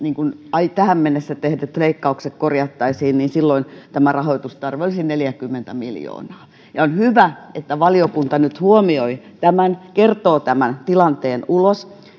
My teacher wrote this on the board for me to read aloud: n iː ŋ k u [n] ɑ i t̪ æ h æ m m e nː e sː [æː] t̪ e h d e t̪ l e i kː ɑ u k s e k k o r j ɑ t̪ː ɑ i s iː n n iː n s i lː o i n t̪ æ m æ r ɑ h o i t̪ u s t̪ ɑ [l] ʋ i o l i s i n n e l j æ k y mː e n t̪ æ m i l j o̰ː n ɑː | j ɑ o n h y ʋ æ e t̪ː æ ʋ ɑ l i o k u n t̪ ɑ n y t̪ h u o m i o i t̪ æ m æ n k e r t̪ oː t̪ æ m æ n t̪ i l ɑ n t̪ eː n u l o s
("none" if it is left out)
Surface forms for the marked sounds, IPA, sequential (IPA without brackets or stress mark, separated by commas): n, æ, r